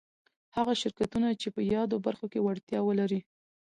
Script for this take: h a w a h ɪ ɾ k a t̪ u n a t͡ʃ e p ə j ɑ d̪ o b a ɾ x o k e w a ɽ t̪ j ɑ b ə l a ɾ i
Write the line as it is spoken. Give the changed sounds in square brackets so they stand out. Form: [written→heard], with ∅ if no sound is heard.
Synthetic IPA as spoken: h a [w→ɣ] a [h→ʃ] ɪ ɾ k a t̪ u n a t͡ʃ e p ə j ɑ d̪ o b a ɾ x o k e w a ɽ t̪ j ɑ [b→w] ə l a ɾ i